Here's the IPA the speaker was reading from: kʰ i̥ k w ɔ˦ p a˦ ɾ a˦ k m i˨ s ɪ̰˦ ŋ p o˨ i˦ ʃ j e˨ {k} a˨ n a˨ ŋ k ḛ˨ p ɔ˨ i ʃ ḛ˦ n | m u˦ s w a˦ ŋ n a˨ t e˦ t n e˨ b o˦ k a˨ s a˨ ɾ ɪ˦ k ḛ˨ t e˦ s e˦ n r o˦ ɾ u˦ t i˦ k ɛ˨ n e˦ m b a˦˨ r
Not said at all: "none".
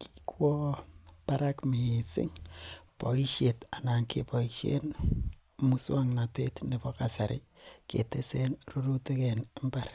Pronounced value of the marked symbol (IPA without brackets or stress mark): t